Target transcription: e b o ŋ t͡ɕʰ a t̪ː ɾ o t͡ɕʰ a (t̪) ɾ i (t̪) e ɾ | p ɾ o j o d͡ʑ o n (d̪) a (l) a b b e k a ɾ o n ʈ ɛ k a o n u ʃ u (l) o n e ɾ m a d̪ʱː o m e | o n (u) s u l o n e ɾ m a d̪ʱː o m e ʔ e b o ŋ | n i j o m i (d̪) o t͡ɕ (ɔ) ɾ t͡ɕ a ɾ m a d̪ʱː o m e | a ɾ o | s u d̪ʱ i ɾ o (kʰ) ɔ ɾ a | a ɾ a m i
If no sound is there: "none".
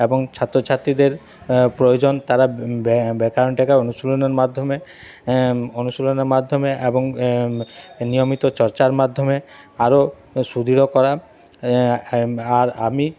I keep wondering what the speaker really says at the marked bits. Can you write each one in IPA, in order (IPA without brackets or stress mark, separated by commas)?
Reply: t̪, d̪, t̪, ɾ, l, u, t̪, ɔ, k